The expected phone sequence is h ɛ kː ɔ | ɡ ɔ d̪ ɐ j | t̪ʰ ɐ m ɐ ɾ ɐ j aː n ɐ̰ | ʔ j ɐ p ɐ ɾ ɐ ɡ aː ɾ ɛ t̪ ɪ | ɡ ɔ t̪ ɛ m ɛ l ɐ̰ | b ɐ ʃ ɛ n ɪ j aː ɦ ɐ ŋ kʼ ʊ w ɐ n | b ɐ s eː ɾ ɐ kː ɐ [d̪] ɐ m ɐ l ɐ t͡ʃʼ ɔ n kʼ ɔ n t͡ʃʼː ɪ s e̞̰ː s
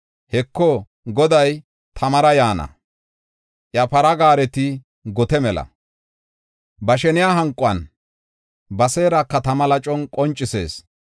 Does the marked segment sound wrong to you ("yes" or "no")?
yes